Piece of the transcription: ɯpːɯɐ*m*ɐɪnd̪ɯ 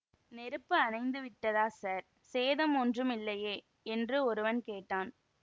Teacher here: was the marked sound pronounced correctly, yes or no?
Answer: no